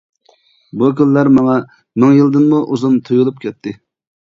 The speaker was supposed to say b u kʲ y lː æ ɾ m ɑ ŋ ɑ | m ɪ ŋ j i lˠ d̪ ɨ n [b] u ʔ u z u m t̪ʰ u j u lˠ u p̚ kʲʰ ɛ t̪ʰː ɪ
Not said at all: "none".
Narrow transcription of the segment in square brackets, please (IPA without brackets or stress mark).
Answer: m